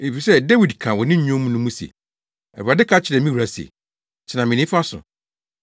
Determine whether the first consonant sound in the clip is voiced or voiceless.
voiceless